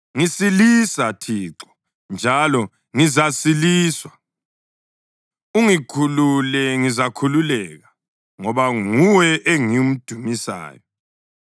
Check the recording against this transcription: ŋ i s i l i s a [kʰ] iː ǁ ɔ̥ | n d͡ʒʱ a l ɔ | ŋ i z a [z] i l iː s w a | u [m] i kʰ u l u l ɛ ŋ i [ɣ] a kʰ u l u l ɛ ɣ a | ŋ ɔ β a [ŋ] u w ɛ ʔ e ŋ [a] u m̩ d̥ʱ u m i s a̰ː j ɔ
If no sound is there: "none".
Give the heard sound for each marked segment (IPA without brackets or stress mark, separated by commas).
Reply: tʰ, s, ŋ, z, ŋ, i